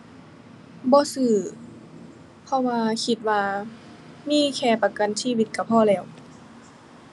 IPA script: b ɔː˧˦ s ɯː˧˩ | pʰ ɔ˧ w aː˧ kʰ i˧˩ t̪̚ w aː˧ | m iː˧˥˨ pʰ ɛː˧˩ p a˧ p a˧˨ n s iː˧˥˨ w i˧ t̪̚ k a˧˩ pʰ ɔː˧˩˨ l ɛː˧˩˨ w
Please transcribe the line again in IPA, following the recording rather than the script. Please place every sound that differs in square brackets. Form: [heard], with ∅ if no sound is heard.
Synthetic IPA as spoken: b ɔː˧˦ s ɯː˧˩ | pʰ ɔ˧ w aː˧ kʰ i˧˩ t̪̚ w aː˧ | m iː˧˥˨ [kʰ] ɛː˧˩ p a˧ [k] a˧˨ n s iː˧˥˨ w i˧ t̪̚ k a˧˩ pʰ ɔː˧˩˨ l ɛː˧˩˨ w